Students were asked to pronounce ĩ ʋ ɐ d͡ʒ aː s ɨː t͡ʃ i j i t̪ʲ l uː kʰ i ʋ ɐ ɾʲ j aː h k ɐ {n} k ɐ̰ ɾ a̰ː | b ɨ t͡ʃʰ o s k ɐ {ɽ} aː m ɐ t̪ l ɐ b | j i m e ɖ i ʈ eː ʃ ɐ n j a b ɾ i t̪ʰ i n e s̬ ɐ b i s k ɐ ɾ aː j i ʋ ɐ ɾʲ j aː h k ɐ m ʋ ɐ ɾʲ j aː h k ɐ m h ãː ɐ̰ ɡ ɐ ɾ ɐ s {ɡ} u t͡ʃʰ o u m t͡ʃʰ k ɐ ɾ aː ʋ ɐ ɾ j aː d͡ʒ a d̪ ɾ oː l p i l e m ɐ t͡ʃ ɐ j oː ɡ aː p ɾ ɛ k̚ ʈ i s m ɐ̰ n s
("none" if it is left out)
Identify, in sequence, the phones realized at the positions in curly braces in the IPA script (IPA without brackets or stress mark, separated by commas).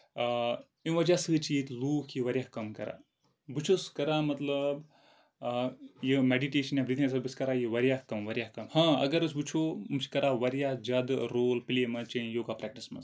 m, ɾ, b